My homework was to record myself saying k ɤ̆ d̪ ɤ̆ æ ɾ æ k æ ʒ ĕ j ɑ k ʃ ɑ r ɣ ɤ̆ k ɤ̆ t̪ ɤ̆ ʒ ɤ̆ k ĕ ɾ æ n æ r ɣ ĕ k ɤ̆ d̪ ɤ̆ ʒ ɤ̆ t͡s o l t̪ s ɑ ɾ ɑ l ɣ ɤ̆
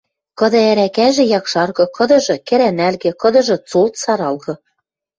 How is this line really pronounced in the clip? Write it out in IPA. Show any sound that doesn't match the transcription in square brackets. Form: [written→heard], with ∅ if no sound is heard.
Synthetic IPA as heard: k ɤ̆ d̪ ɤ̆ æ ɾ æ k æ ʒ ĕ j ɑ k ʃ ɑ r ɣ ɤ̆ k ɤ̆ [t̪→d̪] ɤ̆ ʒ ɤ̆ k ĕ ɾ æ n æ [r→l] ɣ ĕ k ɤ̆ d̪ ɤ̆ ʒ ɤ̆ t͡s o l t̪ s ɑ ɾ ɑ l ɣ ɤ̆